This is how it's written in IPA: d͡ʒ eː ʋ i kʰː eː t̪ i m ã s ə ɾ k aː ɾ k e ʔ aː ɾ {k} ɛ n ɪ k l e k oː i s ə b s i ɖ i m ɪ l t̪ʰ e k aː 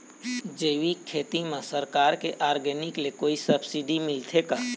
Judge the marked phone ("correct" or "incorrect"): incorrect